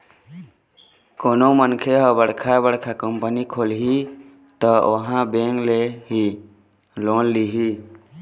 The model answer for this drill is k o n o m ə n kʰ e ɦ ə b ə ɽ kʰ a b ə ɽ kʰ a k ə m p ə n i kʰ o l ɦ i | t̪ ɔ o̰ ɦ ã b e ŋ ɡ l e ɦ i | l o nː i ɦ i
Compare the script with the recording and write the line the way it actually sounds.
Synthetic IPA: k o n o m ə n kʰ e ɦ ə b ə ɽ kʰ a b ə ɽ kʰ a k ə m p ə n i kʰ o l ɦ i | t̪ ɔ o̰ ɦ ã b e ŋ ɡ l e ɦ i | l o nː i ɦ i

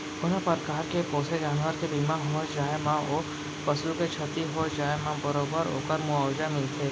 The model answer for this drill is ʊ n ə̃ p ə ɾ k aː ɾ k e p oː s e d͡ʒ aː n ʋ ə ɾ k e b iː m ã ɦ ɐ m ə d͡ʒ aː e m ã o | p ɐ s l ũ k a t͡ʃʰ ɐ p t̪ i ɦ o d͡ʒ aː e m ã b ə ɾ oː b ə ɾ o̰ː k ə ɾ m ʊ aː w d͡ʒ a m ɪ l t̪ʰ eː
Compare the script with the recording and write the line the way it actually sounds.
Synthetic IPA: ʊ n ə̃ p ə ɾ k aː ɾ k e p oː s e d͡ʒ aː n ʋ ə ɾ k e b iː m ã ɦ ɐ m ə d͡ʒ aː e m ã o | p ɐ s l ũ k e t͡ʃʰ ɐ t̪ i ɦ o d͡ʒ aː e m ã b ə ɾ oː b ə ɾ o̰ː k ə ɾ m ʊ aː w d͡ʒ a m ɪ l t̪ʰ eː

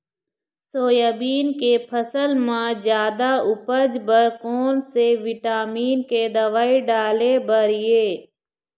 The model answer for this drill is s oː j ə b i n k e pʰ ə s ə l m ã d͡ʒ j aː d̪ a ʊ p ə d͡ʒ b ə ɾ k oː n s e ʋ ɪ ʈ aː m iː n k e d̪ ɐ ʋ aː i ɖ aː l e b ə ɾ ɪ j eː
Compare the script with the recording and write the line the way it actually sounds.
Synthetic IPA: s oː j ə b iː n k e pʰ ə s ə l m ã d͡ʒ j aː d̪ a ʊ p ə d͡ʒ b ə ɾ k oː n s e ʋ ɪ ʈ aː m iː n k e d̪ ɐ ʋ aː i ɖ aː l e b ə ɾ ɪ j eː

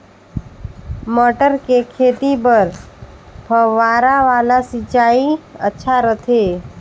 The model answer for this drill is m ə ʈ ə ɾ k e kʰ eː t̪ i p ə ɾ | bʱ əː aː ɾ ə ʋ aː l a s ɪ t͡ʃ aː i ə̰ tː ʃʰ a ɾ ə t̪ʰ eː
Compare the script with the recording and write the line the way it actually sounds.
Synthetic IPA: m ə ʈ ə ɾ k e kʰ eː t̪ i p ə ɾ | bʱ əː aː ɾ a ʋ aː l a s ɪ t͡ʃ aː i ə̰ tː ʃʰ a ɾ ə t̪ʰ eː

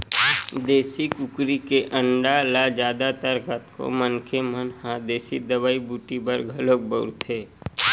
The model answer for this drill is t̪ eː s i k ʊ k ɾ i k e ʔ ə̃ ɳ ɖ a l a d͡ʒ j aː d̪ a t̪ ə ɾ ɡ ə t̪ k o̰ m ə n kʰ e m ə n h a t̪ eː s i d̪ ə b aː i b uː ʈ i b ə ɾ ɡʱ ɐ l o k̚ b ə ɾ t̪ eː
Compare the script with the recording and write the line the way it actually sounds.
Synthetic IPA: d̪ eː s i k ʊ k ɾ i k e ʔ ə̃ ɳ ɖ a l a d͡ʒ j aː d̪ a t̪ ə ɾ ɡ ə t̪ k o̰ m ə n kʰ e m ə n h a d̪ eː s i d̪ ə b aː i b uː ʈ i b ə ɾ ɡʱ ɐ l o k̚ b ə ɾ t̪ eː

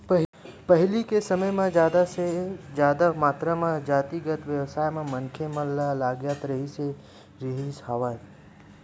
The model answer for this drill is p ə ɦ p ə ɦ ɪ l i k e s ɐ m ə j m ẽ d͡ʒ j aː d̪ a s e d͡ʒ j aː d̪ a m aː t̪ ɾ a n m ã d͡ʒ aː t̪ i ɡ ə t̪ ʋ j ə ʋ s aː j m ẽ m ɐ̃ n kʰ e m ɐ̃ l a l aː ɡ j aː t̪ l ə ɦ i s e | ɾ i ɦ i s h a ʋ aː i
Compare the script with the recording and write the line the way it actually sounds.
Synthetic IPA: p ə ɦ p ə ɦ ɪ l i k e s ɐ m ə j m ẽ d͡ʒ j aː d̪ a s e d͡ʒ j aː d̪ a m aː t̪ ɾ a m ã d͡ʒ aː t̪ i ɡ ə t̪ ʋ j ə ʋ s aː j m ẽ m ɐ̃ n kʰ e m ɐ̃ l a l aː ɡ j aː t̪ ɾ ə ɦ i s e | ɾ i ɦ i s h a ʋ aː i

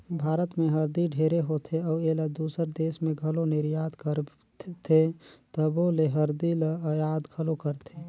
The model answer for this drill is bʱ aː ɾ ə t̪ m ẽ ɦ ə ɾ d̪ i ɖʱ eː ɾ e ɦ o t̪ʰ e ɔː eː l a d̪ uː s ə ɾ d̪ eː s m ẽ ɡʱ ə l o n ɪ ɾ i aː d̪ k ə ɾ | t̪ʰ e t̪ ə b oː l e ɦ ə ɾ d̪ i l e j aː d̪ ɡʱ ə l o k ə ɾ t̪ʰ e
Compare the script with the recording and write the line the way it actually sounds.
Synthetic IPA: bʱ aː ɾ ə t̪ m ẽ ɦ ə ɾ d̪ i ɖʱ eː ɾ e ɦ o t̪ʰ e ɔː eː l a d̪ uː s ə ɾ d̪ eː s m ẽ ɡʱ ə l o n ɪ ɾ j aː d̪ k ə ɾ | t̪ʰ e t̪ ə b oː l e ɦ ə ɾ d̪ i l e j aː d̪ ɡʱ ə l o k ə ɾ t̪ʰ e

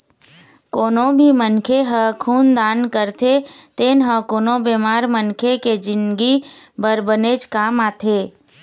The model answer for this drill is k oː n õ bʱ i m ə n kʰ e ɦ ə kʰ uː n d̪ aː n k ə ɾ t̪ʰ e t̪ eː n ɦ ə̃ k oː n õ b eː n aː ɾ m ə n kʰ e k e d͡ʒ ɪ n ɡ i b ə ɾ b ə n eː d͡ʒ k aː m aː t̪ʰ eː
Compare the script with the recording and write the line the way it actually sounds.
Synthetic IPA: k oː n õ bʱ i m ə n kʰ e ɦ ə kʰ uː n d̪ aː n k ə ɾ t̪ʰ e t̪ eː n ɦ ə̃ k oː n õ b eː m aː ɾ m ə n kʰ e k e d͡ʒ ɪ n ɡ i b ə ɾ b ə n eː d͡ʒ k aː m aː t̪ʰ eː

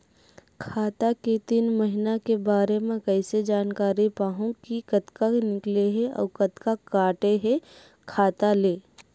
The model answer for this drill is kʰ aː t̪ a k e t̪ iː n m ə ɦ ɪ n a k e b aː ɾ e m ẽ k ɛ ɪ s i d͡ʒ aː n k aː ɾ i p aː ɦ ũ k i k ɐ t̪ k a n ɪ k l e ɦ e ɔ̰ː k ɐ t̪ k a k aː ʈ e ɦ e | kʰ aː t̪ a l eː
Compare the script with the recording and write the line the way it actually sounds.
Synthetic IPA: kʰ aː t̪ a k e t̪ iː n m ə ɦ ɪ n a k e b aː ɾ e m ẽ k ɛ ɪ s e d͡ʒ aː n k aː ɾ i p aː ɦ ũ k i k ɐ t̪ k a n ɪ k l e ɦ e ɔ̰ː k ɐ t̪ k a k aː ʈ e ɦ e | kʰ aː t̪ a l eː

